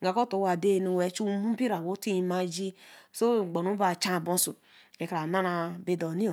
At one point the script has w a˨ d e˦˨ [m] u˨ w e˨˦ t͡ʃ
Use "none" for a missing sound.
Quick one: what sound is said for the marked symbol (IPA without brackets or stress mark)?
n